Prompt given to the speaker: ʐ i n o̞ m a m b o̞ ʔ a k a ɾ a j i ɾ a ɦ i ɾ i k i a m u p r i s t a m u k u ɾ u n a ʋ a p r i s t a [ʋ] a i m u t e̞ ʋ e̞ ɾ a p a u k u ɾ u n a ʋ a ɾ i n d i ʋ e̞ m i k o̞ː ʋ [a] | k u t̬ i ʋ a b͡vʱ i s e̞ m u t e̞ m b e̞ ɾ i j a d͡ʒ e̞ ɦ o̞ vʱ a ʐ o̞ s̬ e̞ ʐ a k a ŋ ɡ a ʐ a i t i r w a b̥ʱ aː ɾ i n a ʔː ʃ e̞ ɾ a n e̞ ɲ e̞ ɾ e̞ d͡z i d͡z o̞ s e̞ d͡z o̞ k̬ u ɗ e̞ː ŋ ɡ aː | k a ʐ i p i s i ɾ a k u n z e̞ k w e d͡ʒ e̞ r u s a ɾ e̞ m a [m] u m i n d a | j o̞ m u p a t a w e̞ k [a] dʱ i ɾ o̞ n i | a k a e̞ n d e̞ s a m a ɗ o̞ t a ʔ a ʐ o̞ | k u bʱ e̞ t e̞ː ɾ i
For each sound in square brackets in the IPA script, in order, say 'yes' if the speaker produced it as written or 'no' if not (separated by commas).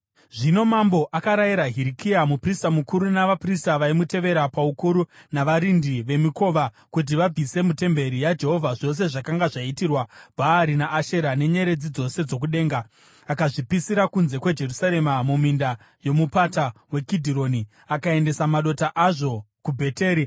yes, yes, yes, no